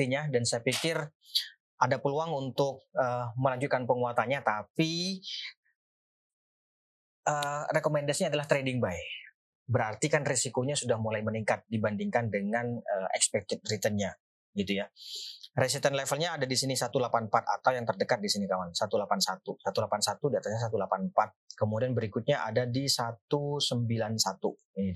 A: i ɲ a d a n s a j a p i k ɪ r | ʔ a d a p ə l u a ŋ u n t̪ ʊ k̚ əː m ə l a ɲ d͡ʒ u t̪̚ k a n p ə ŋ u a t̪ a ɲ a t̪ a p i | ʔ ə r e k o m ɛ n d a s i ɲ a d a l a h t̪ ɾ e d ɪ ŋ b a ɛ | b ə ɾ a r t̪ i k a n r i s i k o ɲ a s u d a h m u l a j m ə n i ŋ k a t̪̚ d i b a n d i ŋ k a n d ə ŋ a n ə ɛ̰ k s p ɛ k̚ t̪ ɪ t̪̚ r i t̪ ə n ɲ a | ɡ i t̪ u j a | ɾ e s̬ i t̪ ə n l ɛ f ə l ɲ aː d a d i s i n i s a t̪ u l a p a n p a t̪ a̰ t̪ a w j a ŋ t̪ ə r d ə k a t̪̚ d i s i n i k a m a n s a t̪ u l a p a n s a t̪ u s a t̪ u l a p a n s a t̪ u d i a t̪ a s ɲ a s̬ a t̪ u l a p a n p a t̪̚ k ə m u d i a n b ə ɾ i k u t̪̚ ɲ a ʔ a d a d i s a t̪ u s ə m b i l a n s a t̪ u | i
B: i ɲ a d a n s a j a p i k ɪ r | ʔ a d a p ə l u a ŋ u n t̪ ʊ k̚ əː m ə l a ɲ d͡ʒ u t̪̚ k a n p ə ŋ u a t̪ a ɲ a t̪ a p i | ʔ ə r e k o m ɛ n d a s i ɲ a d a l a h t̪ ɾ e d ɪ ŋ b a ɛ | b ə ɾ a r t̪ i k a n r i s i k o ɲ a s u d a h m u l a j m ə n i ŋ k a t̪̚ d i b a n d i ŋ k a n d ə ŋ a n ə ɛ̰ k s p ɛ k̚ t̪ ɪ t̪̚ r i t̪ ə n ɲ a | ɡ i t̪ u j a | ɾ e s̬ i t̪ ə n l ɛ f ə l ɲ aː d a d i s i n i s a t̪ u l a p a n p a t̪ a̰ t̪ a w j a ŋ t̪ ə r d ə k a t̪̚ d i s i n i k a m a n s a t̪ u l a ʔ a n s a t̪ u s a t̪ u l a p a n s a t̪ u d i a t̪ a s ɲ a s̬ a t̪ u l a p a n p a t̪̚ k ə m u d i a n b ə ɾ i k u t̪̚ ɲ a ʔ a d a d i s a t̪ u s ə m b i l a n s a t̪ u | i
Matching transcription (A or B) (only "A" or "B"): A